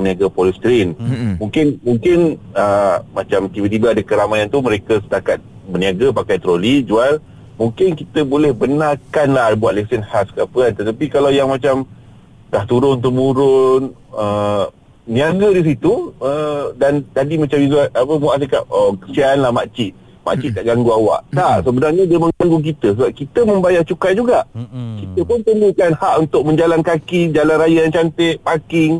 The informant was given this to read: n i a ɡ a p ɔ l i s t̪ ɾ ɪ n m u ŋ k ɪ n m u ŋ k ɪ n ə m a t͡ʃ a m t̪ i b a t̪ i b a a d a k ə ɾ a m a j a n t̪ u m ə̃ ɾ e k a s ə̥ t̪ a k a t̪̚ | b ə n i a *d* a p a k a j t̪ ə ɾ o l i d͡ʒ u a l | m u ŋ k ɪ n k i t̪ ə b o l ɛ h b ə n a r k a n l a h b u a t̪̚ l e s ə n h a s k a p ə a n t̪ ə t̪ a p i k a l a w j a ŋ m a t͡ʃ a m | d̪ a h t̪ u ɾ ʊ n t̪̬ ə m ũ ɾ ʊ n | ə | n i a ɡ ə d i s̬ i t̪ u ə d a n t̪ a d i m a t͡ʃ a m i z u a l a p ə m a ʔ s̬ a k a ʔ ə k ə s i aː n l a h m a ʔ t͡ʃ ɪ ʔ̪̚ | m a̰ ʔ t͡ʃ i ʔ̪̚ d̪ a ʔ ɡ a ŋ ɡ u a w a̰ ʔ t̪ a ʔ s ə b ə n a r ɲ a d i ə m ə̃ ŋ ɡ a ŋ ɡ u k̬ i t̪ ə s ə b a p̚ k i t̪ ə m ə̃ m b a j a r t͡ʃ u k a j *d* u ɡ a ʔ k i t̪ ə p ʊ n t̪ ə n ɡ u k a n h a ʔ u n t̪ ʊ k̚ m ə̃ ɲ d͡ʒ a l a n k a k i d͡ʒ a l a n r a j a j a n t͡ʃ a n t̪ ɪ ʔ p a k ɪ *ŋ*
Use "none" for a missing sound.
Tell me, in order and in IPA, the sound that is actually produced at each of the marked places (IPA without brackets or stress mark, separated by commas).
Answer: ɡ, d͡ʒ, ŋ